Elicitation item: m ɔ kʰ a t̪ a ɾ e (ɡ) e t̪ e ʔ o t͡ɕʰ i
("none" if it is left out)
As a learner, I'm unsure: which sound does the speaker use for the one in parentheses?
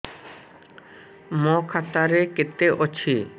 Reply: k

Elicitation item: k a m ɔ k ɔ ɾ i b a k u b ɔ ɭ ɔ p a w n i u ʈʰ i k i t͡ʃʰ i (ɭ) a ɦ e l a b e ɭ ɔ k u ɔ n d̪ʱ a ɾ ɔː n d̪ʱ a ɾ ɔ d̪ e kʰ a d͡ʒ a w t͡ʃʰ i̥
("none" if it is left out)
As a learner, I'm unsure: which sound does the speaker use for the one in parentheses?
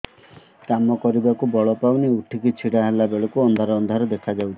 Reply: ɽ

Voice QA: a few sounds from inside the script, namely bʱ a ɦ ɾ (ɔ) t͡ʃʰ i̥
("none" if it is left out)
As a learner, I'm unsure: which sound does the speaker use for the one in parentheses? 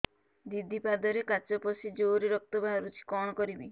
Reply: u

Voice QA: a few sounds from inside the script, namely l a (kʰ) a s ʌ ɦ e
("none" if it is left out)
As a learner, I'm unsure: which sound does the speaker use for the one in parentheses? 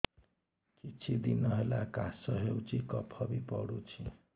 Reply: k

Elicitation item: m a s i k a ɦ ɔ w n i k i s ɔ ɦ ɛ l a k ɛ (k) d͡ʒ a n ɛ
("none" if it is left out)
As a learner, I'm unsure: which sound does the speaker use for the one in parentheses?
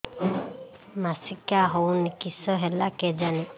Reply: none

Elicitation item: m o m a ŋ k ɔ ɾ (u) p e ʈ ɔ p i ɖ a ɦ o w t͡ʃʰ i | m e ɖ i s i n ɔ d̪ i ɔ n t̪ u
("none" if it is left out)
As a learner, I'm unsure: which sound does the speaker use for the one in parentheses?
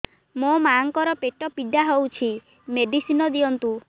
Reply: ɔ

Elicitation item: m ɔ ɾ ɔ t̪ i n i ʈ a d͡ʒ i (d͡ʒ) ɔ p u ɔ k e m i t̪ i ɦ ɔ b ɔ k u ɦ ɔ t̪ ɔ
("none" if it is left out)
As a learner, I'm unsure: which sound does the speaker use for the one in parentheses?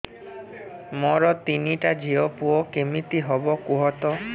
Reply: none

